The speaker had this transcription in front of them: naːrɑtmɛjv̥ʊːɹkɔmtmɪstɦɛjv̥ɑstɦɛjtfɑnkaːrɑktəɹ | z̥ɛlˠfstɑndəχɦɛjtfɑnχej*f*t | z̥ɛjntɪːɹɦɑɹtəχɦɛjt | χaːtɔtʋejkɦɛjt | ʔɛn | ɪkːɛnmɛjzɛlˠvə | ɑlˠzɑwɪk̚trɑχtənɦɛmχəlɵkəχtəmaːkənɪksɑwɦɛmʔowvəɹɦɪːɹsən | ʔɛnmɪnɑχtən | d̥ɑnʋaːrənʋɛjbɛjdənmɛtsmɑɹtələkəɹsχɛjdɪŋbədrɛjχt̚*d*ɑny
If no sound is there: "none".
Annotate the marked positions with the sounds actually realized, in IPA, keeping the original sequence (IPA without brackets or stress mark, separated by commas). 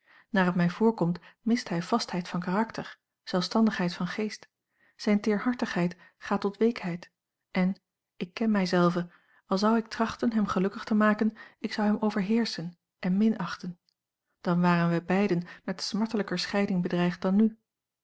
s, d